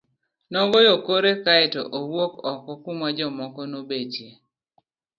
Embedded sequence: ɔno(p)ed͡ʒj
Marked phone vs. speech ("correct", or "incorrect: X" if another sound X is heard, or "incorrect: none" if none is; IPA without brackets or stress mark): incorrect: b